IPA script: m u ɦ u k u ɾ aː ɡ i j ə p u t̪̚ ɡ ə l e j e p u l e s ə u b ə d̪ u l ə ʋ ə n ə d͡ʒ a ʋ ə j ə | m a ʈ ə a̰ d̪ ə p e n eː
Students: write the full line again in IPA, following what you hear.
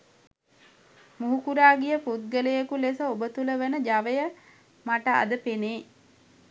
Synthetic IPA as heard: m u ɦ u k u ɾ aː ɡ i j ə p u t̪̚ ɡ ə l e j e k u l e s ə o b ə t̪ u l ə ʋ ə n ə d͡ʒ a ʋ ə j ə | m a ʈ ə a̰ d̪ ə p e n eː